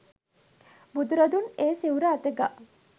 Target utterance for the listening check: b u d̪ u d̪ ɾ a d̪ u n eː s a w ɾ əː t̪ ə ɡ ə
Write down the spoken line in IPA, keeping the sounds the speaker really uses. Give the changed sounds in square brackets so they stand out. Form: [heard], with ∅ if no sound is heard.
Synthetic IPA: b u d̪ u [∅] ɾ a d̪ u n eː s [i] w ɾ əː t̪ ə ɡ [a]